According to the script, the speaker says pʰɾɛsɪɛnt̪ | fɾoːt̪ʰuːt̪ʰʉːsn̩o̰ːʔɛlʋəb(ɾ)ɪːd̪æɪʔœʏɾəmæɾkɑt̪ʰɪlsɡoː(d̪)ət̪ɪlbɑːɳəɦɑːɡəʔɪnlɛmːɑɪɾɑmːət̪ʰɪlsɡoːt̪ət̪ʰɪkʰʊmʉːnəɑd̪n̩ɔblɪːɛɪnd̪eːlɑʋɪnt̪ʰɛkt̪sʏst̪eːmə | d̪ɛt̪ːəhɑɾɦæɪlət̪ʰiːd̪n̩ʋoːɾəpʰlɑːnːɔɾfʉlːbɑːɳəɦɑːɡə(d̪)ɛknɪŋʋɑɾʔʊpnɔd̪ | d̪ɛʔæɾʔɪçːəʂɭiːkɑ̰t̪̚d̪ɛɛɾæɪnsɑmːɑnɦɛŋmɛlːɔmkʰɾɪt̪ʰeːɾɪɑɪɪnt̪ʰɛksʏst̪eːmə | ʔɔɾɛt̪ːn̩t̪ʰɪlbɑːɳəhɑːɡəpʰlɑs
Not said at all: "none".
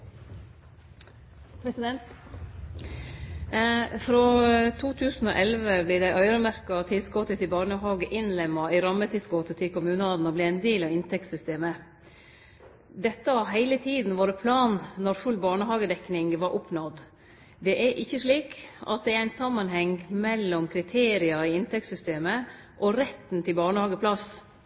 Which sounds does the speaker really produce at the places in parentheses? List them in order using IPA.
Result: l, t̪, d̪

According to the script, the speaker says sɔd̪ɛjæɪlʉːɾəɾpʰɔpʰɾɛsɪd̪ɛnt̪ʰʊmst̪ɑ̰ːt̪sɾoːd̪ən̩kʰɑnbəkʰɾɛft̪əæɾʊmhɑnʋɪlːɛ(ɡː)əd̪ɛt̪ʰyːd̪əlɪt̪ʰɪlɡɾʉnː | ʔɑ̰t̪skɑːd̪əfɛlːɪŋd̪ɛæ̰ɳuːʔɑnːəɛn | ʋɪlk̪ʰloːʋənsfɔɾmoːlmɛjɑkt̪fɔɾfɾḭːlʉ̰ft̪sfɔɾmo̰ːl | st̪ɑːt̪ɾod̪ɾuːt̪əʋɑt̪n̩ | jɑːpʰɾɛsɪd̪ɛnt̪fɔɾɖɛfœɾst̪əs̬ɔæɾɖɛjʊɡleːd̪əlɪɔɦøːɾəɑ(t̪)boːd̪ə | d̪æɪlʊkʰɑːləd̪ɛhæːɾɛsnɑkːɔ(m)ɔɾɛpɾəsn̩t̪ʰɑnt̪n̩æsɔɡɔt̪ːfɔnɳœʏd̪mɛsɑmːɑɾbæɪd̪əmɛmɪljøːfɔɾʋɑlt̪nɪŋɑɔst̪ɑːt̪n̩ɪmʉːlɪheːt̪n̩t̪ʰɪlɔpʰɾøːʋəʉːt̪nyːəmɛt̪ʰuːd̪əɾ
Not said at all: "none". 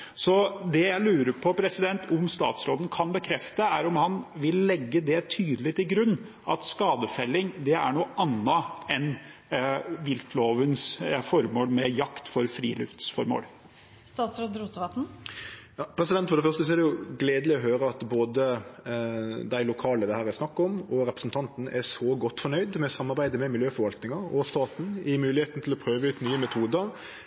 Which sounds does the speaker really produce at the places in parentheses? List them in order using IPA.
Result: ɡː, t̪, m

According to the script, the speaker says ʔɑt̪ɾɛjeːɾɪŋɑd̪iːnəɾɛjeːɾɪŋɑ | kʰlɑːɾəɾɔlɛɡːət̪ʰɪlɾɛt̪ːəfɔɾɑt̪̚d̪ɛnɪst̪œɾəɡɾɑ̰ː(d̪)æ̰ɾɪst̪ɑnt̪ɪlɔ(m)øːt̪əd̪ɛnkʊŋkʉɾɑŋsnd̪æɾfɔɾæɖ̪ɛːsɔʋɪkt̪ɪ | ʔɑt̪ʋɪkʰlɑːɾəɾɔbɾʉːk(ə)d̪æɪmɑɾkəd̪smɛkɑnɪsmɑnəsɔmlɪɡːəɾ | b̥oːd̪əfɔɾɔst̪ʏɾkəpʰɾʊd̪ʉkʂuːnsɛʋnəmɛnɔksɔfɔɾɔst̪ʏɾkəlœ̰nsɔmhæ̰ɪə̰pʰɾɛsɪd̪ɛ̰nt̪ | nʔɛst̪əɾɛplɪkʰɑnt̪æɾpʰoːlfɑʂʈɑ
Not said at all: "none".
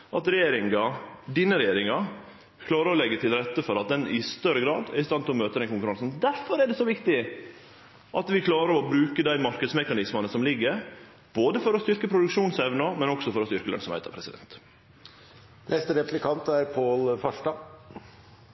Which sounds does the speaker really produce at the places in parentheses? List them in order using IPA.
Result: d̪, m, ə

